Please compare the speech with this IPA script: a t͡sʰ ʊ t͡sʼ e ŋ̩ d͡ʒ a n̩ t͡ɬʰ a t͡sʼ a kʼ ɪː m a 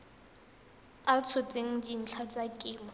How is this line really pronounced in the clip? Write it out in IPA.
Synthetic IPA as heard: a t͡sʰ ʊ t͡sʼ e ŋ̩ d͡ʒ i n̩ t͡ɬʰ a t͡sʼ a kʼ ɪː m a